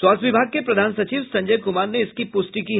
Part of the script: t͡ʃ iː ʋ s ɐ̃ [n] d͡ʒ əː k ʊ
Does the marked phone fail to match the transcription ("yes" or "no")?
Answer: yes